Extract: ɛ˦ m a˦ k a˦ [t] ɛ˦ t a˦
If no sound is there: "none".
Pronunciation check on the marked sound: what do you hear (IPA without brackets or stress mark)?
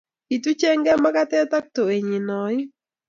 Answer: t